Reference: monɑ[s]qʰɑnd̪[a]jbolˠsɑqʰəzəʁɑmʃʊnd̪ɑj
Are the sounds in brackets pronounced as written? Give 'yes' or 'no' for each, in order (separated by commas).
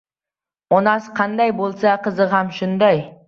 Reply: yes, no